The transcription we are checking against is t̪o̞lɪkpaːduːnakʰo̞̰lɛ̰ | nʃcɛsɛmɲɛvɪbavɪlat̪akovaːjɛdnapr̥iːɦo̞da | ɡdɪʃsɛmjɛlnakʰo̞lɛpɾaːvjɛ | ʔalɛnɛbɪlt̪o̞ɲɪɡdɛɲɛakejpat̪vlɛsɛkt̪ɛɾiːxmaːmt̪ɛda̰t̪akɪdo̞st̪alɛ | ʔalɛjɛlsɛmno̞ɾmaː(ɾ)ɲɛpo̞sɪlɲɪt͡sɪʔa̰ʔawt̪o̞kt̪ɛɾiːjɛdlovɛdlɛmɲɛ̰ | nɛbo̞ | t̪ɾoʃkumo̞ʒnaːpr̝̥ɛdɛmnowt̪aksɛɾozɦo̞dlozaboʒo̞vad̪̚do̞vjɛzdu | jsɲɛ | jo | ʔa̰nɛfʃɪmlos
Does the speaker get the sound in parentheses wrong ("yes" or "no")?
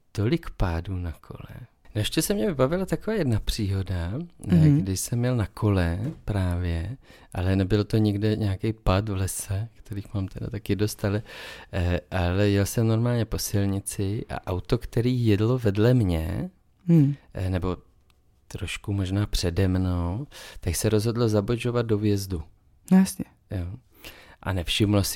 yes